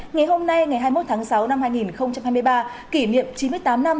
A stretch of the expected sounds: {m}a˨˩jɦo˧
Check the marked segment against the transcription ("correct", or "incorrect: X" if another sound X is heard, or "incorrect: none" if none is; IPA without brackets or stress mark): incorrect: ŋ